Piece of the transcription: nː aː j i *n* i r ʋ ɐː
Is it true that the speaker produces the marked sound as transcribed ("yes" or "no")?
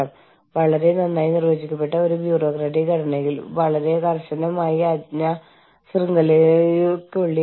yes